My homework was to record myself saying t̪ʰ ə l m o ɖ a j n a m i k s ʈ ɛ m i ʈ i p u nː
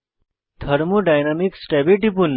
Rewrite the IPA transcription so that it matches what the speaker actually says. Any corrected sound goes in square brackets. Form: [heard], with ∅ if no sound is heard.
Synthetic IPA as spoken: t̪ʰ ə [ɾ] m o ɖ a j n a m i k s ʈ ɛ [b] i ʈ i p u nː